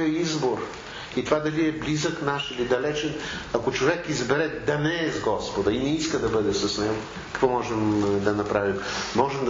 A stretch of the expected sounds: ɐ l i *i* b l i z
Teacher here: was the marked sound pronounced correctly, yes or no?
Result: no